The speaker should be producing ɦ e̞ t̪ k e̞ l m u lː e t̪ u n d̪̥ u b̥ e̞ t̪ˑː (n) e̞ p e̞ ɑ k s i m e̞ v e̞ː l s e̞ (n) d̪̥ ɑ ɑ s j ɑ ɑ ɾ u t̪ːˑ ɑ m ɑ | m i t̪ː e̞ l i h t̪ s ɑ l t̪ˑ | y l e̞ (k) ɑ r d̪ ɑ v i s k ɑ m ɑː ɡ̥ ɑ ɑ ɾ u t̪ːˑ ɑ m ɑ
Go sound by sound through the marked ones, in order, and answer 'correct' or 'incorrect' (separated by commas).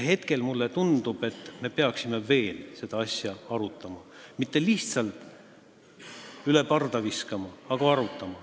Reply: incorrect, incorrect, incorrect